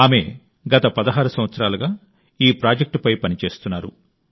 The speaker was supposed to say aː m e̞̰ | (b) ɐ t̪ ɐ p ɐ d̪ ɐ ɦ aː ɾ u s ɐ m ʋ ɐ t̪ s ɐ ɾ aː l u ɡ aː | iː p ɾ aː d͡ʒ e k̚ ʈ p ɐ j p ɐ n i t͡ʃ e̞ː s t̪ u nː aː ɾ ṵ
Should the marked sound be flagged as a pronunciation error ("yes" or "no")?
yes